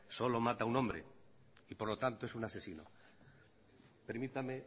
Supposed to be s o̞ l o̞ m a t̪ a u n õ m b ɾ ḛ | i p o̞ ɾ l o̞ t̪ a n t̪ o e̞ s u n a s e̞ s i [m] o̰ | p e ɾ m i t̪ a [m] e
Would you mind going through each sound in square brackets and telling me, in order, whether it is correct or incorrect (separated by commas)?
incorrect, correct